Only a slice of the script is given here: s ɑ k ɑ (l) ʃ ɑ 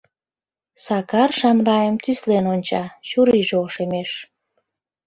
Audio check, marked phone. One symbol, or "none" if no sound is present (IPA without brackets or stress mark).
r